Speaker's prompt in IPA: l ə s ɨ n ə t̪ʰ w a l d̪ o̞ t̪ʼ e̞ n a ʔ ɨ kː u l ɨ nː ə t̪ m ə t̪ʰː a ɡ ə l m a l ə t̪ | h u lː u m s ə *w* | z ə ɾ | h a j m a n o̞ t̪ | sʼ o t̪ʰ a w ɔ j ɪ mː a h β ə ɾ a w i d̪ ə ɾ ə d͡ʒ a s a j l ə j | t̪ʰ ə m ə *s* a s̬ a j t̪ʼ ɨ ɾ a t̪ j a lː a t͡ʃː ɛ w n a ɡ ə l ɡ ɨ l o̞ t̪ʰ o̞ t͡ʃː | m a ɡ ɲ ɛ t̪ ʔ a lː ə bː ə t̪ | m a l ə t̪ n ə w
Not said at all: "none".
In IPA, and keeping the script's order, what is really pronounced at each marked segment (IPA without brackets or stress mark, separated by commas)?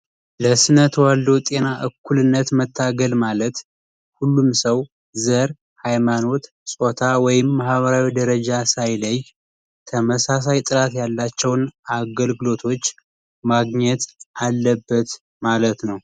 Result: w, s